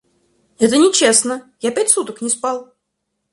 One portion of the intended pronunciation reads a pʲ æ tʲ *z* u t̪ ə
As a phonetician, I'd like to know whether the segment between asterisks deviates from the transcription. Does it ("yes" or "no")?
yes